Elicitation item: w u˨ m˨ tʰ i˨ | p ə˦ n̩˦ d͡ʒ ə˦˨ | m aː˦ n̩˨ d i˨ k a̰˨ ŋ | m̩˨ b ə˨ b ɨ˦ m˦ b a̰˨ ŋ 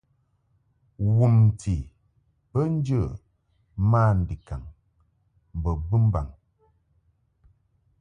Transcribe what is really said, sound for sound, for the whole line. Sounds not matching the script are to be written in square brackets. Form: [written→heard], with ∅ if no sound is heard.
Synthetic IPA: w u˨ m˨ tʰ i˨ | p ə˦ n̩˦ d͡ʒ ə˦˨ | m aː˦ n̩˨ d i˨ k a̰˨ ŋ | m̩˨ b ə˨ b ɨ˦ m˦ b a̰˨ ŋ